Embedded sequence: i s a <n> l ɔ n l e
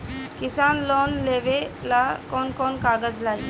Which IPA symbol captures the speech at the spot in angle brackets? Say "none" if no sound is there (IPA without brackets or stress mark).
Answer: n